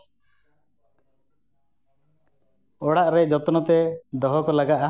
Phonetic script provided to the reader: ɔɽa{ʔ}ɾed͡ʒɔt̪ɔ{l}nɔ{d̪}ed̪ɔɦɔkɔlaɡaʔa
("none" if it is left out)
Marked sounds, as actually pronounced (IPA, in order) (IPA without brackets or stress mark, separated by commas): ʔ, none, t̪